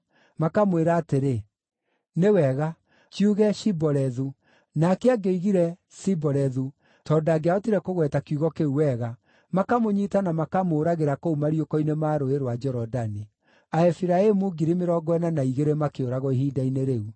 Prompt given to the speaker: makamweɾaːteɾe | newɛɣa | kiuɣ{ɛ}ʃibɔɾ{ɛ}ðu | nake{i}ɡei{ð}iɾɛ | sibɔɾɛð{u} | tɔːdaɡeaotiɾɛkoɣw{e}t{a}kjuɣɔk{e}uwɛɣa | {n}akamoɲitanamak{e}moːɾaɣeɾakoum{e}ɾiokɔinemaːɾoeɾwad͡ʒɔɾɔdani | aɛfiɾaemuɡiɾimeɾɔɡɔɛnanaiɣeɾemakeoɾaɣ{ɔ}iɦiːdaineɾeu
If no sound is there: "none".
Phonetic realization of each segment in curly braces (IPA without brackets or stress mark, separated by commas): ɛ, ɛ, a, ɣ, u, ɛ, a, e, m, a, a, ɔ